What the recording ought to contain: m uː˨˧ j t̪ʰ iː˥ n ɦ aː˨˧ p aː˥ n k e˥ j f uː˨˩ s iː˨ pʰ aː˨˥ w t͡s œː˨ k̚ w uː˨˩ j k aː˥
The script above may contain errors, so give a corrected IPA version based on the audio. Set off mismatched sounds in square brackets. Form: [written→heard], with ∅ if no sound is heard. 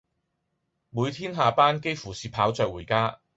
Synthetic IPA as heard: m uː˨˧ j t̪ʰ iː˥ n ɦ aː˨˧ p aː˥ n k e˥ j f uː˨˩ s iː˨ pʰ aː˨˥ w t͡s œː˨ k̚ w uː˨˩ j k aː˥